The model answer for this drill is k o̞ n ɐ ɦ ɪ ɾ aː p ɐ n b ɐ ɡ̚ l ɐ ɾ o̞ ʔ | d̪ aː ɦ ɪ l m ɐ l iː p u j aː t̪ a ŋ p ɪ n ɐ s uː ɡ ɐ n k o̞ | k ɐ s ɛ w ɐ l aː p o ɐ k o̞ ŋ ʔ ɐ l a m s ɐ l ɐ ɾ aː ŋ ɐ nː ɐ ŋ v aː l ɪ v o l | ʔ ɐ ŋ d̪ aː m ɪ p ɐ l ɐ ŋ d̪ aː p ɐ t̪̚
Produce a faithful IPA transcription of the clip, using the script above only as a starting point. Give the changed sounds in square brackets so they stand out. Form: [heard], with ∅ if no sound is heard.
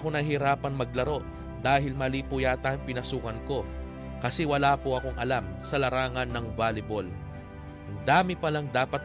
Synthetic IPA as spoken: k o̞ n ɐ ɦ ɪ ɾ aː p ɐ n [m] ɐ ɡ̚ l ɐ ɾ o̞ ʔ | d̪ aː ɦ ɪ l m ɐ l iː p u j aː t̪ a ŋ p ɪ n ɐ s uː [k] ɐ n k o̞ | k ɐ s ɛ w ɐ l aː p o ɐ k o̞ ŋ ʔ ɐ l a m s ɐ l ɐ ɾ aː ŋ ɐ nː ɐ ŋ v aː l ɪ [b] o l | ʔ ɐ ŋ d̪ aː m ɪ p ɐ l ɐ ŋ d̪ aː p ɐ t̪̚